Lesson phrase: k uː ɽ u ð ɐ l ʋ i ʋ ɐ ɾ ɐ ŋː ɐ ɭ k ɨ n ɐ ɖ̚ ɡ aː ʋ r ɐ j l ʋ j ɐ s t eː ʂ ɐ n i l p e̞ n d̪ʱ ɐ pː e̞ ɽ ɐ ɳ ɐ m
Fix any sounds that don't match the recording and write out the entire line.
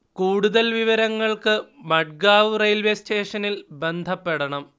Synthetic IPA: k uː ɽ u ð ɐ l ʋ i ʋ ɐ ɾ ɐ ŋː ɐ ɭ k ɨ m ɐ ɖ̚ ɡ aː ʋ r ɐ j l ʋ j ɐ s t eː ʂ ɐ n i l b e̞ n d̪ʱ ɐ pː e̞ ɽ ɐ ɳ ɐ m